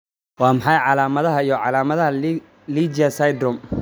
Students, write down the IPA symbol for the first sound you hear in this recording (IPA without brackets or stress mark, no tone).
w